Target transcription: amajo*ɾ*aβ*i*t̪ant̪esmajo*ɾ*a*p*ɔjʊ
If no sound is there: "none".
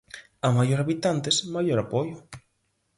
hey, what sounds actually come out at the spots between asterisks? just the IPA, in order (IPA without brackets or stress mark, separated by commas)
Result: ɾ, i, ɾ, p